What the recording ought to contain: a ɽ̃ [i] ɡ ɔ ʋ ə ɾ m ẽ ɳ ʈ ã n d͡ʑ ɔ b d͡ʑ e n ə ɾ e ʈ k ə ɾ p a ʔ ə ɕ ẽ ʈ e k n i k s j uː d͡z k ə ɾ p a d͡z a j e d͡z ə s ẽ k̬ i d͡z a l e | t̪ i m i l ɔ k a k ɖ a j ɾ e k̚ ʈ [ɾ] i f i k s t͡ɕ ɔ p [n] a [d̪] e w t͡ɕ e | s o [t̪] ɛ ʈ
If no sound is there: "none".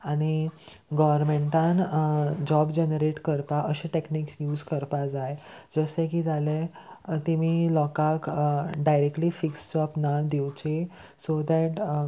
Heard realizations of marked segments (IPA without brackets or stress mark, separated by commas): i, l, n, d̪, d̪